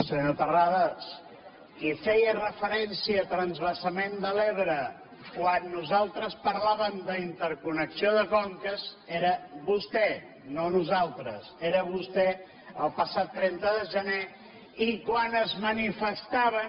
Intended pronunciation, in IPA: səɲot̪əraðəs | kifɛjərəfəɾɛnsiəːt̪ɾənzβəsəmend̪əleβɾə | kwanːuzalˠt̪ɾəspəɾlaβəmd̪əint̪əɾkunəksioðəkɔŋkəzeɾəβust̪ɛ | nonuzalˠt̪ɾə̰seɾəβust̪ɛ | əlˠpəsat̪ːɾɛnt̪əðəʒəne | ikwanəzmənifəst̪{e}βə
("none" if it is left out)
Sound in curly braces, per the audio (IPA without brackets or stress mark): a